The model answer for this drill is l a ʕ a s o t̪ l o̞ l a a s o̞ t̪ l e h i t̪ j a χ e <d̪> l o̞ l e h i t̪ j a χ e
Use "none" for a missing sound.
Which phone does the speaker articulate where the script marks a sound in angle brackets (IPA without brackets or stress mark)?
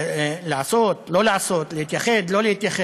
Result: d̪